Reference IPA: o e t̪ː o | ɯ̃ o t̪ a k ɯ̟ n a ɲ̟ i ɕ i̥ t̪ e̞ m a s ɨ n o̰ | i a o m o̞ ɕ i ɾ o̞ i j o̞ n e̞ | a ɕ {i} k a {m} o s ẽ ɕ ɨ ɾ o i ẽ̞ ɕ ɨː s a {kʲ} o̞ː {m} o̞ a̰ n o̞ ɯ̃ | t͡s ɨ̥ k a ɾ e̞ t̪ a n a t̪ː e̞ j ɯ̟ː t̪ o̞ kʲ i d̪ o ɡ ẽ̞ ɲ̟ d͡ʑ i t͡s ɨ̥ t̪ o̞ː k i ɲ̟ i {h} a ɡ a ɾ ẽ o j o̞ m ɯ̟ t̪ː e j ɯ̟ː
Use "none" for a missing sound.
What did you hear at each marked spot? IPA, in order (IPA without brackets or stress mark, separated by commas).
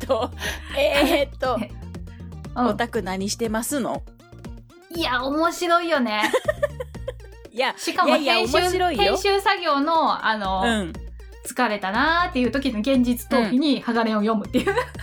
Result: i, m, ɡʲ, n, h